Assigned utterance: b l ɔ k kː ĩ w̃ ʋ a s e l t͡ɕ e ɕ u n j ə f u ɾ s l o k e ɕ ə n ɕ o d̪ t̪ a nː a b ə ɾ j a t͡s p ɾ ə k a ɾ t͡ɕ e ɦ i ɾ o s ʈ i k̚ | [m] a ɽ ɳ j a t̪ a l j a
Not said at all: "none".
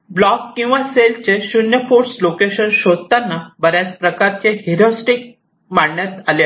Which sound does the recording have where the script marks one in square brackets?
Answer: m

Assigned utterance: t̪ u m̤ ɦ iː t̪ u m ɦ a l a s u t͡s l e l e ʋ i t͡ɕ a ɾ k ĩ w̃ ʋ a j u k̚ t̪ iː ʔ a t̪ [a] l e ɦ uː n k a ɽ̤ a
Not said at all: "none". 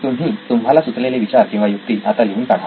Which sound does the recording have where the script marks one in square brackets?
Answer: a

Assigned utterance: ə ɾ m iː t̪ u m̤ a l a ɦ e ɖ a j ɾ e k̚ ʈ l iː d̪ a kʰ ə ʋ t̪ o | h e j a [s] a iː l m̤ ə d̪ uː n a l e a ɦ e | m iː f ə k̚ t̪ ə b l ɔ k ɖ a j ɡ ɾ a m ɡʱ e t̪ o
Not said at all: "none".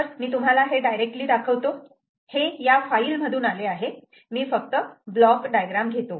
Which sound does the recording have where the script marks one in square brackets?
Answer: f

